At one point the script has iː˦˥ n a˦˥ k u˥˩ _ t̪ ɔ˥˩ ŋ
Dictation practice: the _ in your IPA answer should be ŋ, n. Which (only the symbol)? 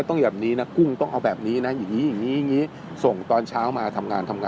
ŋ